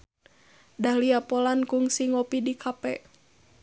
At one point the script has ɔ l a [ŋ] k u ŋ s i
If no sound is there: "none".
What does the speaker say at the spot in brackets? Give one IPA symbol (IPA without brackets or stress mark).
n